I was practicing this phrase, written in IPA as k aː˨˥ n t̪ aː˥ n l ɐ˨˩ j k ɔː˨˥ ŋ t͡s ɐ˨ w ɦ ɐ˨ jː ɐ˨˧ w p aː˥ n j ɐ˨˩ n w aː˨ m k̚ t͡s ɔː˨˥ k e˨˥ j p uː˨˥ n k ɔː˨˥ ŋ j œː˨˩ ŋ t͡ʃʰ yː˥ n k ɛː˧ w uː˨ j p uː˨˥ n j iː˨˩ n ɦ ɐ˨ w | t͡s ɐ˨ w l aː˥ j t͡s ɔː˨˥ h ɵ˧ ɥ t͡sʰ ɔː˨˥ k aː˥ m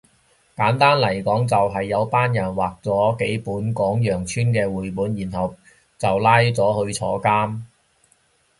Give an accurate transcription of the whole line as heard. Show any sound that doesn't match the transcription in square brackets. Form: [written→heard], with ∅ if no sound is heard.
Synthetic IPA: k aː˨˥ n t̪ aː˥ n l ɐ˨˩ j k ɔː˨˥ ŋ t͡s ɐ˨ w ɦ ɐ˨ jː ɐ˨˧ w p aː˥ n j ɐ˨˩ n w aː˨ [m→∅] k̚ t͡s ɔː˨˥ k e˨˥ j p uː˨˥ n k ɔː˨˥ ŋ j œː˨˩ ŋ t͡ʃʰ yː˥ n k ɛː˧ w uː˨ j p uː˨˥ n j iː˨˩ n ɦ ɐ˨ w | t͡s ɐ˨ w l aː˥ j t͡s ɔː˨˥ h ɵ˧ ɥ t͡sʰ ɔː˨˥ k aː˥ m